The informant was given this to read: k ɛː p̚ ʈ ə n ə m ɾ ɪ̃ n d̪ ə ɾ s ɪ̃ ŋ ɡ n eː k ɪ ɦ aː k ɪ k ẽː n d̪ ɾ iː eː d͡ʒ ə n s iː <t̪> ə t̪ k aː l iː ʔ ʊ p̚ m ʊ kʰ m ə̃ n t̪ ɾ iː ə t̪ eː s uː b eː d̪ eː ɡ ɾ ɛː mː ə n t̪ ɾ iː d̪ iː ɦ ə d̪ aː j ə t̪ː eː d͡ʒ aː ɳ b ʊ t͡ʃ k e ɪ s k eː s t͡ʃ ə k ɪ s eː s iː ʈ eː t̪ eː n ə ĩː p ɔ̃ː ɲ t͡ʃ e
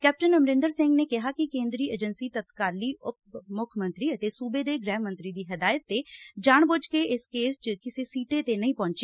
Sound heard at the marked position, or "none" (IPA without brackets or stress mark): t̪